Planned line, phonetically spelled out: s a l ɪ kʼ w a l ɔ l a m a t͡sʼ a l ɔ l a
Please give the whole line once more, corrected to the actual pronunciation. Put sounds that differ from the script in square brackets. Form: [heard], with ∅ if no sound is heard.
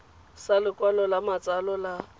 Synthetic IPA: s a l ɪ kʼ w a l ɔ l a m a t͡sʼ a l ɔ l a